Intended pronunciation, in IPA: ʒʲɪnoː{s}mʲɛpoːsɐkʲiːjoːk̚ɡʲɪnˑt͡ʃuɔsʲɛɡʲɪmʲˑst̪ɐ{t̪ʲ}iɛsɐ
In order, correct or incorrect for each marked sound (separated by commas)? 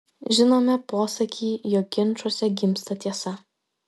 incorrect, correct